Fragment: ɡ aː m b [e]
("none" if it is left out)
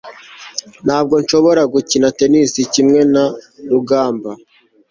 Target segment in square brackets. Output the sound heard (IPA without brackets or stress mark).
a